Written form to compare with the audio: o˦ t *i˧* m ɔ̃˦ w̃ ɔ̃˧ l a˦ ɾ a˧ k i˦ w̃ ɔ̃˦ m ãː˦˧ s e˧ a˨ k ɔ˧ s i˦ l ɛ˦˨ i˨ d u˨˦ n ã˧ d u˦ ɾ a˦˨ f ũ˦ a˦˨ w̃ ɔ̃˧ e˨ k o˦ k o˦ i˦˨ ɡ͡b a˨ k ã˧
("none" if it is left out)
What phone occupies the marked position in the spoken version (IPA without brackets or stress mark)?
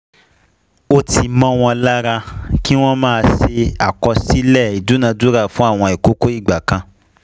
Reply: i˧